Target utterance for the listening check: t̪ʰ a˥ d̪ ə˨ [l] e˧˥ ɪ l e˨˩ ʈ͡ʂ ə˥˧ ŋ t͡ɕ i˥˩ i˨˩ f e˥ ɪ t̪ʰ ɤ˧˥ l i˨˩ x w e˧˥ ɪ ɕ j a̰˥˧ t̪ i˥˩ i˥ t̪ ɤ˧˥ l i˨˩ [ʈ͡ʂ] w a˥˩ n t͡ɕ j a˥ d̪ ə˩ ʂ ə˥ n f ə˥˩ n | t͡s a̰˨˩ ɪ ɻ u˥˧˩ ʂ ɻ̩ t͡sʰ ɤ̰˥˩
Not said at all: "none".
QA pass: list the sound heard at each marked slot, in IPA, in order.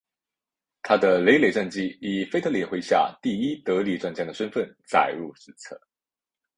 l, ʈ͡ʂ

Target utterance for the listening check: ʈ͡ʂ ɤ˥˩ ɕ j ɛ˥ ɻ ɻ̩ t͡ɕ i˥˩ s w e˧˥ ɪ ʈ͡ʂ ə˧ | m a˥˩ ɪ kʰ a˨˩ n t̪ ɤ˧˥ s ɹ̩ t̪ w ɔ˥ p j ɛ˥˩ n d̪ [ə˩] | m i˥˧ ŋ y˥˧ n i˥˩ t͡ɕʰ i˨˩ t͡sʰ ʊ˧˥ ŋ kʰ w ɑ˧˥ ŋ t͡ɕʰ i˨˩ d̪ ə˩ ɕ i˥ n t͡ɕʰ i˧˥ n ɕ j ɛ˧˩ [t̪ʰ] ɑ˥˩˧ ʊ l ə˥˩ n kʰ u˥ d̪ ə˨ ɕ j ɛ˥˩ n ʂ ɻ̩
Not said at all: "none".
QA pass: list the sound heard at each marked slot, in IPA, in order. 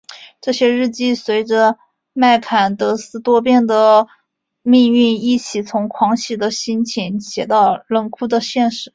ə˩, t̪

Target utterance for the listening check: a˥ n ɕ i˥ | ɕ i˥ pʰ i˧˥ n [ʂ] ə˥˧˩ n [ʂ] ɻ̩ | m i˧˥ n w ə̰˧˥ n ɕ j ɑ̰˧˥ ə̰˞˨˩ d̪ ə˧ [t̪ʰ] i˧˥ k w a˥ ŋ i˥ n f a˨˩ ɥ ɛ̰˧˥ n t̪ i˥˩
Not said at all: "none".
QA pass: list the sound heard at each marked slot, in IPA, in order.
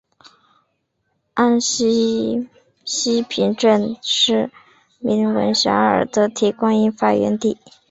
ʈ͡ʂ, ʂ, t̪ʰ

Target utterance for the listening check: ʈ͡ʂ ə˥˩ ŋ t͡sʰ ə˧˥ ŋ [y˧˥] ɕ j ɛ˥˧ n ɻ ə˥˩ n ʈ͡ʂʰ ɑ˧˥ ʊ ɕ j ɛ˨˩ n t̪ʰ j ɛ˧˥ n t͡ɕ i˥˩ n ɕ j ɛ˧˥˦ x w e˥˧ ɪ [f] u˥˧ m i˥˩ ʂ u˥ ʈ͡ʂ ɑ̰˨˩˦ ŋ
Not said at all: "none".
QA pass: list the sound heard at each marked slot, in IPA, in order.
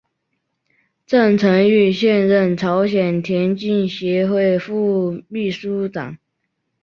y˥˩, f

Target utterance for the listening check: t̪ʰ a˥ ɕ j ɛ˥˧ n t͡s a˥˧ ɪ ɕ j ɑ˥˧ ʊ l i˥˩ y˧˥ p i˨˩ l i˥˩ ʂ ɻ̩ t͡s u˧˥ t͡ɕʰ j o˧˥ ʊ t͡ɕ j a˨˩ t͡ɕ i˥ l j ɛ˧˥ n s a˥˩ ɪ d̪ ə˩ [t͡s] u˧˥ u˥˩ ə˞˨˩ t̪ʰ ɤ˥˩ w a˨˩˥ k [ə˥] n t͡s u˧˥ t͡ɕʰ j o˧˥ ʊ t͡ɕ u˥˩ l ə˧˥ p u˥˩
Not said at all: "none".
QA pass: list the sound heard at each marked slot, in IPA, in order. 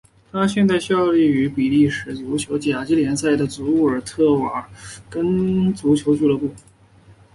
t͡s, ə˥

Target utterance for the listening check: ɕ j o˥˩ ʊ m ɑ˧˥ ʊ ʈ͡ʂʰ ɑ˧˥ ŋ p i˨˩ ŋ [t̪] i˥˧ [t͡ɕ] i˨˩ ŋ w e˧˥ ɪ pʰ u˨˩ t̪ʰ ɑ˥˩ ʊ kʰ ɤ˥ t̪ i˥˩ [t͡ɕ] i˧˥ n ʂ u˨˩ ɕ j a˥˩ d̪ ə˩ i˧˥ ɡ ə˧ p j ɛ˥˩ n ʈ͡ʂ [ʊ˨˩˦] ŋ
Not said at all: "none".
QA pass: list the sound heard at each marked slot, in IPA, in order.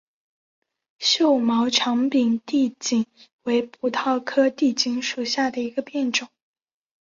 t̪, t͡ɕ, t͡ɕ, ʊ˨˩˦

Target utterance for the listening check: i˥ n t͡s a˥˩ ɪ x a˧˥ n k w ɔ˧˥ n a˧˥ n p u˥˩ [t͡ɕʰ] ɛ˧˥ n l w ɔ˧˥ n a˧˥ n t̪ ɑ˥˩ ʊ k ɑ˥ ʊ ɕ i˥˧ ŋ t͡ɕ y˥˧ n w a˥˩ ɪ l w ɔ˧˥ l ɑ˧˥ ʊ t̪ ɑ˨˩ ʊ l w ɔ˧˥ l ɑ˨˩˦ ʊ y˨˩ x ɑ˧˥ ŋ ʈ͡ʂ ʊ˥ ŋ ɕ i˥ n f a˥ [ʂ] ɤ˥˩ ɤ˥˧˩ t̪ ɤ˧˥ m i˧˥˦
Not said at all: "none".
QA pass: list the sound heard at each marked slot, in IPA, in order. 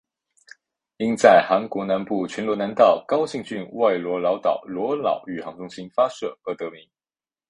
t͡ɕʰ, ʂ

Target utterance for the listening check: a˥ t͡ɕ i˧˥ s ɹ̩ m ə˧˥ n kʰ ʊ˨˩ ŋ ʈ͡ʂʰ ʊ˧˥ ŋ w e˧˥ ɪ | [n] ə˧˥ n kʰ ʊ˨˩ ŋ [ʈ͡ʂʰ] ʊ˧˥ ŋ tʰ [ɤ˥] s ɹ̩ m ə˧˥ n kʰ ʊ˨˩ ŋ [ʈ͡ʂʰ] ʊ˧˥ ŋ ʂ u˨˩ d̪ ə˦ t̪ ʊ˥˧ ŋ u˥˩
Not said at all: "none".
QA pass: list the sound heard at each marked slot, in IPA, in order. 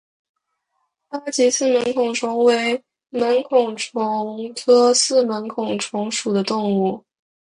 m, ʈ͡ʂʰ, ɤ˥, ʈ͡ʂʰ

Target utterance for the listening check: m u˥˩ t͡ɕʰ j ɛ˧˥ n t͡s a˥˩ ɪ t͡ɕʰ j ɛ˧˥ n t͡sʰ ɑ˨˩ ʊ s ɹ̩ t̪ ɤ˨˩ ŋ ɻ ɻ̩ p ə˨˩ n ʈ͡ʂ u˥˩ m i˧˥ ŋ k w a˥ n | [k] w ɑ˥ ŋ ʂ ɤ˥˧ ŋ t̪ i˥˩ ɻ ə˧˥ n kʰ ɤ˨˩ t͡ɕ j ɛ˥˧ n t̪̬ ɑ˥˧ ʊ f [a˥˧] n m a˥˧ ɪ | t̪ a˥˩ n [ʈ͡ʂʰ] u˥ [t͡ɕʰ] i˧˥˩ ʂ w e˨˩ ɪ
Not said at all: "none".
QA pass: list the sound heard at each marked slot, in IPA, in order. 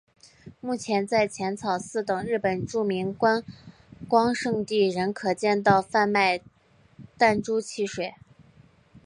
k, a˥˧, ʈ͡ʂ, t͡ɕʰ

